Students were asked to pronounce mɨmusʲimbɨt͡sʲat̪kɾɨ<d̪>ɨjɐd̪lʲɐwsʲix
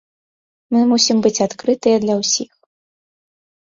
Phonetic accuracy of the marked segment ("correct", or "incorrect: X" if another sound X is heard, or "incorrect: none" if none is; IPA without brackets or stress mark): incorrect: t̪